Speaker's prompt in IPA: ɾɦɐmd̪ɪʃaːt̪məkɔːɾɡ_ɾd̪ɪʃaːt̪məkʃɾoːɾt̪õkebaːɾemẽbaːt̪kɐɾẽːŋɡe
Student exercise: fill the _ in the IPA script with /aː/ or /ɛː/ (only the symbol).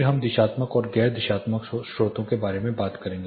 ɛː